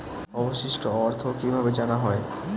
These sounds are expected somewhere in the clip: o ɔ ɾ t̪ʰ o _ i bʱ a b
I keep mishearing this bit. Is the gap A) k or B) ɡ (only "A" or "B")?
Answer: A